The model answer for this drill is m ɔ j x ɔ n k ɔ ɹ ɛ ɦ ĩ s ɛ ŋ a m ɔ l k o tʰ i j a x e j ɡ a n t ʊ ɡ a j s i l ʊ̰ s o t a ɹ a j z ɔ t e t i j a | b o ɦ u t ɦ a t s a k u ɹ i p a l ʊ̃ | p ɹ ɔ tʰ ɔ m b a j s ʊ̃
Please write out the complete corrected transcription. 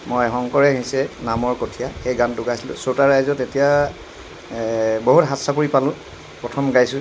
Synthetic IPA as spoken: m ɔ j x ɔ ŋ k ɔ ɹ ɛ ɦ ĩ s ɛ n a m ɔ ɹ k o tʰ i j a x e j ɡ a n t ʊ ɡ a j s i l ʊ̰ s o t a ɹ a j z ɔ t e t i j a | b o ɦ u t ɦ a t s a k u ɹ i p a l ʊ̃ | p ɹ ɔ tʰ ɔ m ɡ a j s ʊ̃

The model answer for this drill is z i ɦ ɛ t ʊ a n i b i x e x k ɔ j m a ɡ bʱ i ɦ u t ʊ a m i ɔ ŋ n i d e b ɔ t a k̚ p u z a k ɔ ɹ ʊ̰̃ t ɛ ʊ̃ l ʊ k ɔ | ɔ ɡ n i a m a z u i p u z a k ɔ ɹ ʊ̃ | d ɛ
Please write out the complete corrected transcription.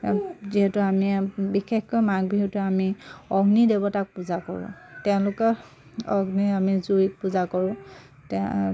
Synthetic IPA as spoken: z i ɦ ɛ t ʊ a m i b i x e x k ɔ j m a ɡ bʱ i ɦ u t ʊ a m i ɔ ɡ n i d e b ɔ t a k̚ p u z a k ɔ ɹ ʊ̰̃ t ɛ ʊ̃ l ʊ k ɔ | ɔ ɡ n i a m i z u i p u z a k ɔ ɹ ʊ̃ | t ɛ

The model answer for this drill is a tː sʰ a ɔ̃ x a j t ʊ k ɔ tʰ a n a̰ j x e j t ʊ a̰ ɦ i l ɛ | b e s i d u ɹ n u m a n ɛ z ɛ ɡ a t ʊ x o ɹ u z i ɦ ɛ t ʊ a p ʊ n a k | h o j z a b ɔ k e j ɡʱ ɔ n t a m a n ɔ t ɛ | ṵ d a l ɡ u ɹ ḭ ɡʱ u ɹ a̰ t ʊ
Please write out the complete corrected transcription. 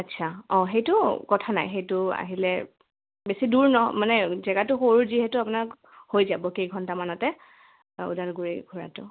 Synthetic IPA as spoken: a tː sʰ a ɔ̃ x e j t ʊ k ɔ tʰ a n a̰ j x e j t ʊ a̰ ɦ i l ɛ | b e s i d u ɹ n ɔ m a n ɛ z ɛ ɡ a t ʊ x o ɹ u z i ɦ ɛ t ʊ a p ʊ n a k | h o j z a b ɔ k e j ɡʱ ɔ n t a m a n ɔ t ɛ | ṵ d a l ɡ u ɹ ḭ ɡʱ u ɹ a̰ t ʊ

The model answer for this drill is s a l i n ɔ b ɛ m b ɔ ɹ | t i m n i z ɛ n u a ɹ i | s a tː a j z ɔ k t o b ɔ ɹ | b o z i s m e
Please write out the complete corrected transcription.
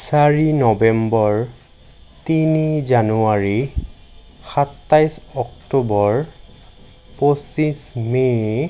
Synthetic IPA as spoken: s a ɹ i n ɔ b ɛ m b ɔ ɹ | t i n i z a n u a ɹ i | x a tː a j s ɔ k t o b ɔ ɹ | p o s i s m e

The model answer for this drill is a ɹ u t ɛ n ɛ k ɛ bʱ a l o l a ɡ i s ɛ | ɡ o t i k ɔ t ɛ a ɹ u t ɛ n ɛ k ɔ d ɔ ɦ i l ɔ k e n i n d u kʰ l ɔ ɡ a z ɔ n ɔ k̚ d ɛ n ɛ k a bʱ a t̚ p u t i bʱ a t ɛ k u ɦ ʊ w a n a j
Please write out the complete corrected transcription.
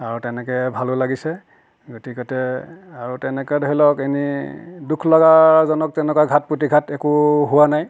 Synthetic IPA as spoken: a ɹ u t ɛ n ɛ k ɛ bʱ a l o l a ɡ i s ɛ | ɡ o t i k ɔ t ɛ a ɹ u t ɛ n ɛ k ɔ d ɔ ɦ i l ɔ k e n i d u kʰ l ɔ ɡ a z ɔ n ɔ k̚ t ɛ n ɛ k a ɡʱ a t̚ p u t i ɡʱ a t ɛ k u ɦ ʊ w a n a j

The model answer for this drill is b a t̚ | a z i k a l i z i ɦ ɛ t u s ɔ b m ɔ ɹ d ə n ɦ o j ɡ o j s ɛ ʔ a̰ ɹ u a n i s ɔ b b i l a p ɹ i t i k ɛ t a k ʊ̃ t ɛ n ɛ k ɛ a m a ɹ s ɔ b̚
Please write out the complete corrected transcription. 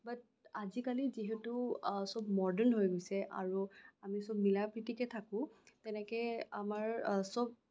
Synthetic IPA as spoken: b a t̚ | a z i k a l i z i ɦ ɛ t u s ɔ b m ɔ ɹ d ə n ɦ o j ɡ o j s ɛ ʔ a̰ ɹ u a m i s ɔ b m i l a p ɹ i t i k ɛ tʰ a k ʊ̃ t ɛ n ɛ k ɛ a m a ɹ s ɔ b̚

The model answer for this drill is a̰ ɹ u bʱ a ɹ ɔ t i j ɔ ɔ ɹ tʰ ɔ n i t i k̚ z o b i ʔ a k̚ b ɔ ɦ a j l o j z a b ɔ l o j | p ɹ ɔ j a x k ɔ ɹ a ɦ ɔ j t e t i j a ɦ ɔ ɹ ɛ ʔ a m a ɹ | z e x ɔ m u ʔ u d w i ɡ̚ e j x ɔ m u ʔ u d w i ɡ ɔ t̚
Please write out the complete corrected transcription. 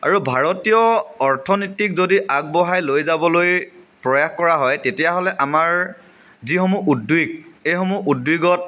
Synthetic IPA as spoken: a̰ ɹ u bʱ a ɹ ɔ t i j ɔ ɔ ɹ tʰ ɔ n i t i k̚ z o d i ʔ a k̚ b ɔ ɦ a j l o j z a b ɔ l o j | p ɹ ɔ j a x k ɔ ɹ a ɦ ɔ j t e t i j a ɦ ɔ l ɛ ʔ a m a ɹ | z i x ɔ m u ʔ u d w i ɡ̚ e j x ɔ m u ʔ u d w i ɡ ɔ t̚

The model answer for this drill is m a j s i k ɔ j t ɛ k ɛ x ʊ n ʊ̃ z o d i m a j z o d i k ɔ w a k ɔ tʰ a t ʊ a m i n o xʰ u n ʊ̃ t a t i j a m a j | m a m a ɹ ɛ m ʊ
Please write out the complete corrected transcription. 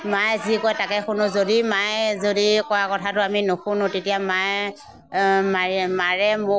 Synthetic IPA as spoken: m a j z i k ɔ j t a k ɛ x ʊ n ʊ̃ z o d i m a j z o d i k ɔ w a k ɔ tʰ a t ʊ a m i n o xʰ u n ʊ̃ t e t i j a m a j | m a m a ɹ ɛ m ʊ

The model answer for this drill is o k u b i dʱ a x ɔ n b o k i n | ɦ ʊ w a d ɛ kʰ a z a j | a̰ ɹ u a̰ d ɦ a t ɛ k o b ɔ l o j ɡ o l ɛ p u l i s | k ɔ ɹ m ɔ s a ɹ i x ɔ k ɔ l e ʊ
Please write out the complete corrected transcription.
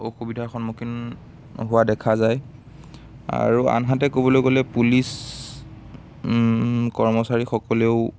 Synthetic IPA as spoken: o x u b i dʱ a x ɔ n m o k i n | ɦ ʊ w a d ɛ kʰ a z a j | a̰ ɹ u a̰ n ɦ a t ɛ k o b ɔ l o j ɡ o l ɛ p u l i s | k ɔ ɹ m ɔ s a ɹ i x ɔ k ɔ l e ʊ

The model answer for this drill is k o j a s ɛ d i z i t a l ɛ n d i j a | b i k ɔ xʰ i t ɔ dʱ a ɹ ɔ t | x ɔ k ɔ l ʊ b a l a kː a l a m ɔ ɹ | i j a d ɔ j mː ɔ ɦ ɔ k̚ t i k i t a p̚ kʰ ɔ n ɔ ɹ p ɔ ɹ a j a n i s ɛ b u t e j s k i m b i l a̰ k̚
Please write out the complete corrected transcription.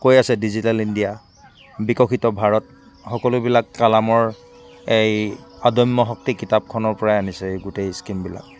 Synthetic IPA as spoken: k o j a s ɛ d i z i t a l i n d i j a | b i k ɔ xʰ i t ɔ bʱ a ɹ ɔ t | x ɔ k ɔ l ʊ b i l a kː a l a m ɔ ɹ | e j a d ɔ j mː ɔ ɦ ɔ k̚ t i k i t a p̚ kʰ ɔ n ɔ ɹ p ɔ ɹ a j a n i s ɛ ɡ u t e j s k i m b i l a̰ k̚

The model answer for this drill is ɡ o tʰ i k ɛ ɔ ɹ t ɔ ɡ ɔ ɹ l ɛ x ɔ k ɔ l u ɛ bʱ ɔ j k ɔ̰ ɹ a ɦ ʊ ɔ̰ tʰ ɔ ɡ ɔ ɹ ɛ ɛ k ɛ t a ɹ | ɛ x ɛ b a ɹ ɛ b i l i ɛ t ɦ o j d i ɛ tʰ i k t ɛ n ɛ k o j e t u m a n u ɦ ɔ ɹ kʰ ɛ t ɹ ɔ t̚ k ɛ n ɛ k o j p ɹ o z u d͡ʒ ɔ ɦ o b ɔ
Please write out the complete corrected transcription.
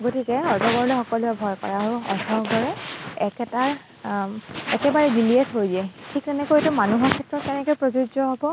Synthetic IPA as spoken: ɡ o t i k ɛ ɔ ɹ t ɔ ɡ ɔ ɹ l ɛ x ɔ k ɔ l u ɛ bʱ ɔ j k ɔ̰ ɹ a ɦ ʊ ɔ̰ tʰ ɔ ɡ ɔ ɹ ɛ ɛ k ɛ t a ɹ | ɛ k ɛ b a ɹ ɛ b i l i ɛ t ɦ o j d i ɛ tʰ i k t ɛ n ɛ k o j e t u m a n u ɦ ɔ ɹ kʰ ɛ t ɹ ɔ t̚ k ɛ n ɛ k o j p ɹ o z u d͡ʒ ɔ ɦ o b ɔ

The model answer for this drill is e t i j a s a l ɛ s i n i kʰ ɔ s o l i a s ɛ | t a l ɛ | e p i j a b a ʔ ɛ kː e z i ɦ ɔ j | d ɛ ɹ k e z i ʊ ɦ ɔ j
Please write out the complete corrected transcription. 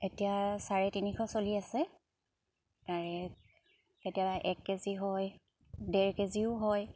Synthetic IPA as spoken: e t i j a s a ɹ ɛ t i n i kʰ ɔ s o l i a s ɛ | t a ɹ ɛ | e t i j a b a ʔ ɛ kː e z i ɦ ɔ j | d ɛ ɹ k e z i ʊ ɦ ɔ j

